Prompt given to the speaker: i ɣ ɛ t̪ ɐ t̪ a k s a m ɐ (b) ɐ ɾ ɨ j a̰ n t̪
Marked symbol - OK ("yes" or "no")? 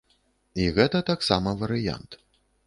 no